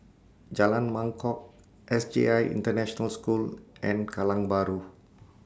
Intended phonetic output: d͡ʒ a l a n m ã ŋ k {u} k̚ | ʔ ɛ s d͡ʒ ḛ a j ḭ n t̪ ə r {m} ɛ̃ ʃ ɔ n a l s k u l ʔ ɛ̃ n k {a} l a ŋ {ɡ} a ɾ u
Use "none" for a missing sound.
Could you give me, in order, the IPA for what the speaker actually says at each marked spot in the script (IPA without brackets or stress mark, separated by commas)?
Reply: ɔ, n, a, b